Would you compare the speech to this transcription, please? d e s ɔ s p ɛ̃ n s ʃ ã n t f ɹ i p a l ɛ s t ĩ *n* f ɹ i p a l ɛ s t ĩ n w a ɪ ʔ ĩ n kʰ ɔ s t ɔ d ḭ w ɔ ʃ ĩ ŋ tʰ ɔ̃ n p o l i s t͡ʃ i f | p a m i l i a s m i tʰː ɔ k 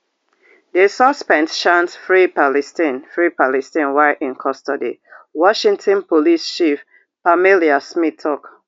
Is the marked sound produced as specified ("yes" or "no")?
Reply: yes